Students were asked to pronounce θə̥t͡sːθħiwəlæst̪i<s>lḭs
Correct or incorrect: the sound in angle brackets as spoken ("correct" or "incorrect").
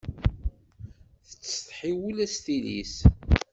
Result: incorrect